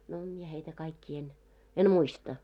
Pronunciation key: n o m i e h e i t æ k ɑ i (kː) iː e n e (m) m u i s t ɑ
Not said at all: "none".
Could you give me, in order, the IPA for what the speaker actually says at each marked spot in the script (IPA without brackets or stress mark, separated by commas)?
kː, n